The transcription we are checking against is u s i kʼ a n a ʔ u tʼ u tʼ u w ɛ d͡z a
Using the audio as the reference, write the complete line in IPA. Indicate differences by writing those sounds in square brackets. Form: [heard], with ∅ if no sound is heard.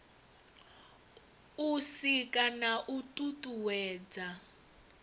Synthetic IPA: u s i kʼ a n a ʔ u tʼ u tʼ u w [ɛː] d͡z a